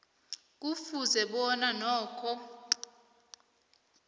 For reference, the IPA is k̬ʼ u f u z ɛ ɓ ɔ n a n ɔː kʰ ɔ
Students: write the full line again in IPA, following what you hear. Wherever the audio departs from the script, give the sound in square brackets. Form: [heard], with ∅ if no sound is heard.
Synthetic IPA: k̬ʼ u f u z ɛ ɓ ɔ n a n ɔː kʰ ɔ

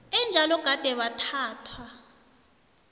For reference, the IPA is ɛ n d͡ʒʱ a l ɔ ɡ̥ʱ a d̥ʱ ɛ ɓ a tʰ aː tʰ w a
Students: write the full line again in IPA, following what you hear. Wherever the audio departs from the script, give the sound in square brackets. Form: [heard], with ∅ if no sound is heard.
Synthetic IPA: ɛ n d͡ʒʱ a l ɔ ɡ̥ʱ a d̥ʱ ɛ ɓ a tʰ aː tʰ w a

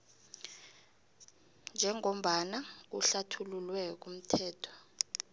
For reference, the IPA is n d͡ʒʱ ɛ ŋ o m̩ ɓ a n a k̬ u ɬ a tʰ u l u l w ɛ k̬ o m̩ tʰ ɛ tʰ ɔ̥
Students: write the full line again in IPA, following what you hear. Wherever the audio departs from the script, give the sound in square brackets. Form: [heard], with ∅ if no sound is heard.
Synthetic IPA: n d͡ʒʱ ɛ ŋ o m̩ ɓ a n a k̬ u ɬ a tʰ u l u l w ɛ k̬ [u] m̩ tʰ [ɛː] tʰ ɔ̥

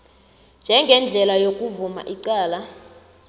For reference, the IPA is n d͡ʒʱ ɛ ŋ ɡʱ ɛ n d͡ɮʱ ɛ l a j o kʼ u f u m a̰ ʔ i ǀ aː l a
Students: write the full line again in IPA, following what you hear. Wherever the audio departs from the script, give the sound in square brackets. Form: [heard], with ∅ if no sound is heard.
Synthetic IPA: n d͡ʒʱ ɛ ŋ ɡʱ ɛ n d͡ɮʱ ɛ l a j o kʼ u [v] u m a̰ ʔ i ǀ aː l a

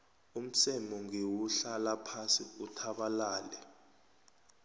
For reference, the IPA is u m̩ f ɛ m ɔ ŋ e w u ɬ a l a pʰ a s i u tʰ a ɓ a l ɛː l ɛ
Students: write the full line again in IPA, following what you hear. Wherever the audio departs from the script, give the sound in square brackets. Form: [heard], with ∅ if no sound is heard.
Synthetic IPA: u m̩ [s] ɛ m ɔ ŋ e w u ɬ a l a pʰ a s i u tʰ a ɓ a l [aː] l ɛ

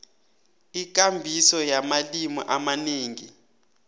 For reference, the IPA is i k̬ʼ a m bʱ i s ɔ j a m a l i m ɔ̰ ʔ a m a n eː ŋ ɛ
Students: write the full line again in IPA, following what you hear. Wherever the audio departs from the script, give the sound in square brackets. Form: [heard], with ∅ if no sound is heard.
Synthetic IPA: i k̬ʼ a m bʱ i s ɔ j a m a l i m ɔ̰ ʔ a m a n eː ŋ [i]

